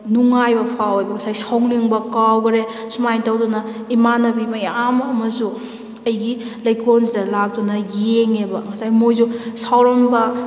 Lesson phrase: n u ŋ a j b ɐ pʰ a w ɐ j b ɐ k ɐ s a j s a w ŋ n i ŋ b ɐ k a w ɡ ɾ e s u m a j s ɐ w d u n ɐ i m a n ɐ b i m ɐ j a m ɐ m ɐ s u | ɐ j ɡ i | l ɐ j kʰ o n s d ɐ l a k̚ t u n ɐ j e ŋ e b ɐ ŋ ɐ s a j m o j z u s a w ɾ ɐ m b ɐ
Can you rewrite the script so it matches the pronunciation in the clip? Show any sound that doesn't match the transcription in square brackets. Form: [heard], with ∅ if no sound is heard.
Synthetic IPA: n u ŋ a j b ɐ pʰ a w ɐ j b ɐ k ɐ s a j s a w ŋ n i ŋ b ɐ k a w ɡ ɾ e s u m a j [t] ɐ w d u n ɐ i m a n ɐ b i m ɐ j a m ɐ m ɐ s u | ɐ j ɡ i | l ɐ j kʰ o n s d ɐ l a k̚ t u n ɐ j e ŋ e b ɐ ŋ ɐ s a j m o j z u s a w ɾ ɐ m b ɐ